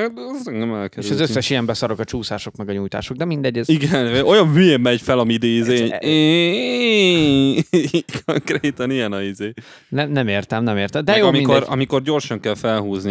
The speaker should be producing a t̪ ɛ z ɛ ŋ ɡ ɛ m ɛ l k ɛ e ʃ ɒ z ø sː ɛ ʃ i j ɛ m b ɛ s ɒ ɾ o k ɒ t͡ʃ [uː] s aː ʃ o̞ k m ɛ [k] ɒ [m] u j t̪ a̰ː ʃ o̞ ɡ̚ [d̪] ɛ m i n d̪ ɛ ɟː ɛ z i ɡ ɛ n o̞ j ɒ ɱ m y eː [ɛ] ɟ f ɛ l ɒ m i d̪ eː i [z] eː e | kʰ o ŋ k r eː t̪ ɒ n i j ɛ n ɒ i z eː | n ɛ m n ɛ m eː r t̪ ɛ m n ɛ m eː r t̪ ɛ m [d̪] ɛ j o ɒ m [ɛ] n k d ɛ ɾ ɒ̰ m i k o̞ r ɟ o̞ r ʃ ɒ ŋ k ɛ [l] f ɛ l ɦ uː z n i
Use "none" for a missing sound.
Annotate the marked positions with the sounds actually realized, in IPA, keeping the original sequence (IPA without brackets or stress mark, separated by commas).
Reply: uː, ɡ, ɲ, d̪, ɛ, z, d̪, i, l